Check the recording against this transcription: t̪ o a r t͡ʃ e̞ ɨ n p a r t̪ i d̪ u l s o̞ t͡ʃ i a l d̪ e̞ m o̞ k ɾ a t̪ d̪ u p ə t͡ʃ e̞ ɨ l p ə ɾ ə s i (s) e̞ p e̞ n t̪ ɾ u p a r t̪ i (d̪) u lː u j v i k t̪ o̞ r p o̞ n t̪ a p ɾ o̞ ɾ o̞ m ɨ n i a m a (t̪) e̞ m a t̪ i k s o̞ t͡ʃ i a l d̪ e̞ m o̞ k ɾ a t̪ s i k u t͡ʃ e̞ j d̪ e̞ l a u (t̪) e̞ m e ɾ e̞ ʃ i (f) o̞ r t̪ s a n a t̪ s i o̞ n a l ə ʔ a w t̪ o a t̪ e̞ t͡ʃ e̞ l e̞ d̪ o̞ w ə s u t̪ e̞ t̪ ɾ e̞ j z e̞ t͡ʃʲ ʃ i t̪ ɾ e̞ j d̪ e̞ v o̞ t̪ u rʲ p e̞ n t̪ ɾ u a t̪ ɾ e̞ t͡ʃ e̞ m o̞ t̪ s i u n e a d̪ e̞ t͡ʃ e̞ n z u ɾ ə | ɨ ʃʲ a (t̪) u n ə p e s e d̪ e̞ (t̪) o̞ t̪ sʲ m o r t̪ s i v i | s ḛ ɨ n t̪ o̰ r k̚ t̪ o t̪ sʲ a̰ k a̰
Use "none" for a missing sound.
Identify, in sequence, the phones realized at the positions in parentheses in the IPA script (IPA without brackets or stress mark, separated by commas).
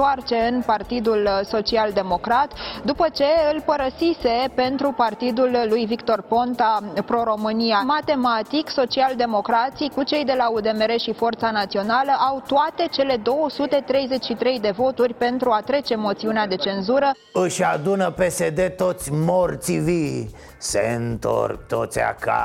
s, d̪, t̪, d̪, f, d̪, t̪